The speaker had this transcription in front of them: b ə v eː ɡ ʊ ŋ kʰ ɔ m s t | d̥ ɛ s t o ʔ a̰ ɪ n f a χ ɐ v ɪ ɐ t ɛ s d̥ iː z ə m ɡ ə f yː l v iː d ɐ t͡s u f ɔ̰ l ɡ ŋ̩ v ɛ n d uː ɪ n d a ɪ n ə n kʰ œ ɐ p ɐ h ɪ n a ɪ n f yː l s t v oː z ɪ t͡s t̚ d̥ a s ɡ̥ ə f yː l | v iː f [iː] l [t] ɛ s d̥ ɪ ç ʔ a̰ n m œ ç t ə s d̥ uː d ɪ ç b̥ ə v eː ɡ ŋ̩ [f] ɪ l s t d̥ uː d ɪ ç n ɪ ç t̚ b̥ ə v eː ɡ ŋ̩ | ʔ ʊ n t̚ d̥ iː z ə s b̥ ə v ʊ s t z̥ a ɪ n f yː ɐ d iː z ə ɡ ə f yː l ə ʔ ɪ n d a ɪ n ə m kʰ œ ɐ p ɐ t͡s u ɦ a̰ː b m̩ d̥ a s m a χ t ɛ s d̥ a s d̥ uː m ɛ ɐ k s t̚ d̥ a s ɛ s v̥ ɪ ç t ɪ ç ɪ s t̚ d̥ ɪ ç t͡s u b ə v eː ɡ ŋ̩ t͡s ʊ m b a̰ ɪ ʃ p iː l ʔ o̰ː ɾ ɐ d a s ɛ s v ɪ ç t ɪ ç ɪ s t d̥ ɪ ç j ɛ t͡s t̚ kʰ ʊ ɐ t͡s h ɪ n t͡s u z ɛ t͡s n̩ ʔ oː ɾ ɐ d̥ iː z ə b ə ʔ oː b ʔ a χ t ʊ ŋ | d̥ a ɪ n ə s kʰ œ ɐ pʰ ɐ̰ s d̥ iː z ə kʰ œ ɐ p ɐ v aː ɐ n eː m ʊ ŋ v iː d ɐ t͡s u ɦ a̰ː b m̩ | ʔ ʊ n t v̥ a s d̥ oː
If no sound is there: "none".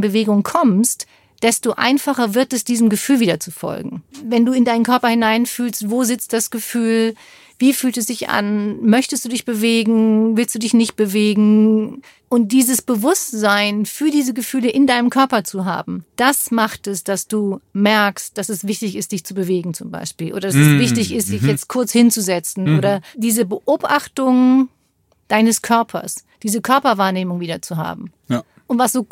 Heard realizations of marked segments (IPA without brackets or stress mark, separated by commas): yː, t, v